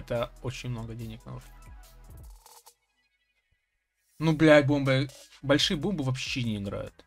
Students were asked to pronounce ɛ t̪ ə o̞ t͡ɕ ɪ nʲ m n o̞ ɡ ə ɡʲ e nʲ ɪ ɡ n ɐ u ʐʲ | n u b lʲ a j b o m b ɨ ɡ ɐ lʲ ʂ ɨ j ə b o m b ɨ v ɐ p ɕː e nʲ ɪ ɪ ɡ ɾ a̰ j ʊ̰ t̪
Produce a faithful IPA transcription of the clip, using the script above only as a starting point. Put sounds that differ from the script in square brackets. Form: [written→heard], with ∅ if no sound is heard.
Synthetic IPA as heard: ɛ t̪ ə o̞ t͡ɕ ɪ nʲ m n o̞ ɡ ə [ɡʲ→dʲ] e nʲ ɪ [ɡ→k] n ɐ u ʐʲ | n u b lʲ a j b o m b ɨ [ɡ→b] ɐ lʲ ʂ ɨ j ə b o m b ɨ v ɐ p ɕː e nʲ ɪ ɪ ɡ ɾ a̰ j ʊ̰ t̪